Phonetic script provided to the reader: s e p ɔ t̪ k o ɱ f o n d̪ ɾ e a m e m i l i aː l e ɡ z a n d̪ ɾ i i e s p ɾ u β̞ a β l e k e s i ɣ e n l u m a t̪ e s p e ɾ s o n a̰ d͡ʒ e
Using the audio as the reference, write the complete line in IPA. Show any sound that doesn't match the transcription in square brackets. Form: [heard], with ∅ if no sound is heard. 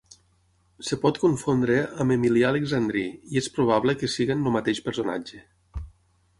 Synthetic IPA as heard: s e p ɔ t̪ k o ɱ f o n d̪ ɾ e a m e m i l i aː l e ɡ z a n d̪ ɾ i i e s p ɾ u β̞ a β l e k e s i ɣ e n l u m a t̪ e [ʃ] p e ɾ s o n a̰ d͡ʒ e